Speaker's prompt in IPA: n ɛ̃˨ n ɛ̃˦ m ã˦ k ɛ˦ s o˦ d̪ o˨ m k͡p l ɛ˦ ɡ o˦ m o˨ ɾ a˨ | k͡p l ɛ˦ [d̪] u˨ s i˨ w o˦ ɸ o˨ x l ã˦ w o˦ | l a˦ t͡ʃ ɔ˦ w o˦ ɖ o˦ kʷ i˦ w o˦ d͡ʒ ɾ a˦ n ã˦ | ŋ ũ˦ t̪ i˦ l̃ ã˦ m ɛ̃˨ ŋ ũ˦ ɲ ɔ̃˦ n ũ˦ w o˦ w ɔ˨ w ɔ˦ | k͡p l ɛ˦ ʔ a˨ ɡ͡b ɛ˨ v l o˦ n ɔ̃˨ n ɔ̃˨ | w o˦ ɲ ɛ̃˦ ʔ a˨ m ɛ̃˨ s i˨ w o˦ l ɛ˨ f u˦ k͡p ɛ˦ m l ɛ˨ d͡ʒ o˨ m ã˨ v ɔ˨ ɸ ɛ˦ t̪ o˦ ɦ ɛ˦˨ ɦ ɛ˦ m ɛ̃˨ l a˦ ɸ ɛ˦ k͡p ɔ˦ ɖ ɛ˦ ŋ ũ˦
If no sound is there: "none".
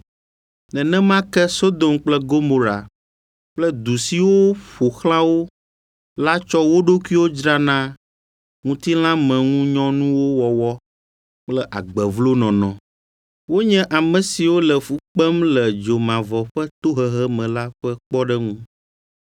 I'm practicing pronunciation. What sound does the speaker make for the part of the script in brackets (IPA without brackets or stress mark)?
d̪